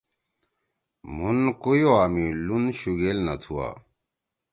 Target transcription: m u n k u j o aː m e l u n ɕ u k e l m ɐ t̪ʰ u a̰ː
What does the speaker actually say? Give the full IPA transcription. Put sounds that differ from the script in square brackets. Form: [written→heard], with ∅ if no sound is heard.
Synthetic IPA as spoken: m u n k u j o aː m [e→i] l u n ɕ u [k→ɡ] e l [m→n] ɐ t̪ʰ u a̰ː